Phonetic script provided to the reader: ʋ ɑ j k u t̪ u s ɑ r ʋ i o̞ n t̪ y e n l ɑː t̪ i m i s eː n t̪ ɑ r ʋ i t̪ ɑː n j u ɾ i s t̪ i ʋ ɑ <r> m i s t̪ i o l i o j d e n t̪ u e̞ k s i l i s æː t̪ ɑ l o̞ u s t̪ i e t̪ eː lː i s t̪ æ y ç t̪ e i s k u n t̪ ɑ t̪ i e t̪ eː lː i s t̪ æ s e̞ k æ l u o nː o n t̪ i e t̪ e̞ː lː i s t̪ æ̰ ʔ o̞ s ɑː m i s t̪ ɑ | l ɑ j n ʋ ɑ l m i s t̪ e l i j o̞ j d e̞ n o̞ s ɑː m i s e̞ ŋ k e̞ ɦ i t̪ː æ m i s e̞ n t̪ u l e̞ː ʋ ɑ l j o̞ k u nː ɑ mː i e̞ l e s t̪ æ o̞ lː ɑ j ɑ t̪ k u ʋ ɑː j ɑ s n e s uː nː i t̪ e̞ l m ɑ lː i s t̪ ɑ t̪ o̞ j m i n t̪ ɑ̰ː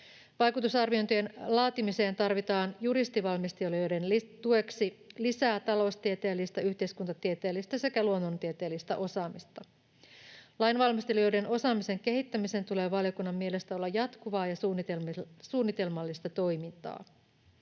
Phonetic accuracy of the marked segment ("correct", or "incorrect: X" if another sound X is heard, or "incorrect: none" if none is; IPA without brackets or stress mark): incorrect: l